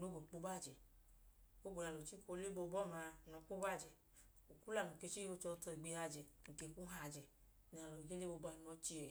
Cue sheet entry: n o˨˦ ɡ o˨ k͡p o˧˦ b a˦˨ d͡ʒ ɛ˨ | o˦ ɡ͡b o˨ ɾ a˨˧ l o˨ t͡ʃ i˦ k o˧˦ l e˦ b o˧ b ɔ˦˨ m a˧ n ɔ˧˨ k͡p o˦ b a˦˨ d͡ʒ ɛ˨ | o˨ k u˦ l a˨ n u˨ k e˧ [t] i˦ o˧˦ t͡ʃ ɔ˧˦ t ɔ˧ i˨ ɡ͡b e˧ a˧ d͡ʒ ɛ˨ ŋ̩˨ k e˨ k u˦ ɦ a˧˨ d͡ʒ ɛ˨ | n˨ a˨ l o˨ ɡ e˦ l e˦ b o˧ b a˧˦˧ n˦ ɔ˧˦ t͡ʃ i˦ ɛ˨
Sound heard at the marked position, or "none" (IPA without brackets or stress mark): t͡ʃ